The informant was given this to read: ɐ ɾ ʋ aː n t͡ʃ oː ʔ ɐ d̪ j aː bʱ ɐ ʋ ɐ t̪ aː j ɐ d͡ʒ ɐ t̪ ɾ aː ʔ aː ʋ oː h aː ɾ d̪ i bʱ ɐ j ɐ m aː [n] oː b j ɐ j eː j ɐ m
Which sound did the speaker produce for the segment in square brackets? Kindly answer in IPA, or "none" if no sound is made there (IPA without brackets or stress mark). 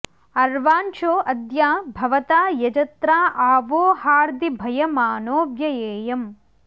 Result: n